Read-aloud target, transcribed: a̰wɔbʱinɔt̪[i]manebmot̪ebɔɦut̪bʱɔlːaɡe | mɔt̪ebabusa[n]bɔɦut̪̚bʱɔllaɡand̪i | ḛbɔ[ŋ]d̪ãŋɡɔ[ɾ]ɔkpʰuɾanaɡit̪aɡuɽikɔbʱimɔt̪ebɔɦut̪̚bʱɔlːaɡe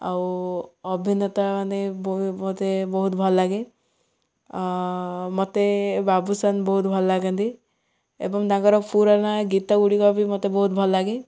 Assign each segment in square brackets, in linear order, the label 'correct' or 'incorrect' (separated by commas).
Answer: incorrect, correct, correct, correct